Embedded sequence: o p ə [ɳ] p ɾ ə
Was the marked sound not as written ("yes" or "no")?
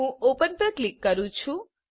yes